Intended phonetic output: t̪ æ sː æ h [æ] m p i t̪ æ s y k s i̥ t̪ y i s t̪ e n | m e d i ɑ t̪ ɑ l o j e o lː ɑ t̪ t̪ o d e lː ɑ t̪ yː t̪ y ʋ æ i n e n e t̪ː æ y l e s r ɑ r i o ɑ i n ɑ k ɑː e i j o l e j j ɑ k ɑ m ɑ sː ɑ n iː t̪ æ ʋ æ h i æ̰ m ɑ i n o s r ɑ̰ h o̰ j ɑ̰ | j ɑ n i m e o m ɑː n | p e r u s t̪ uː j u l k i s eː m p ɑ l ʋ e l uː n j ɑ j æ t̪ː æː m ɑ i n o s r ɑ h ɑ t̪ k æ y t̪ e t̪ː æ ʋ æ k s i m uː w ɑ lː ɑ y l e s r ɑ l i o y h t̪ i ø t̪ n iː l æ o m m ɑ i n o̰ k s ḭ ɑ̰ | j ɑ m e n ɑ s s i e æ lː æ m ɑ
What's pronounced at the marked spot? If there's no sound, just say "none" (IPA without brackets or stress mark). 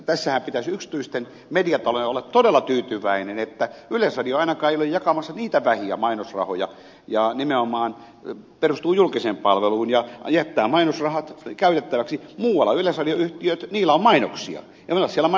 æ